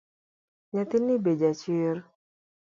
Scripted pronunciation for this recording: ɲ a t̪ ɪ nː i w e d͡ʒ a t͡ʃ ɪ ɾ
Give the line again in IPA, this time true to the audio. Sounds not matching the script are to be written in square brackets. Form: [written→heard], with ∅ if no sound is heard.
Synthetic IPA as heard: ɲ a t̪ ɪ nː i [w→b] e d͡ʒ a t͡ʃ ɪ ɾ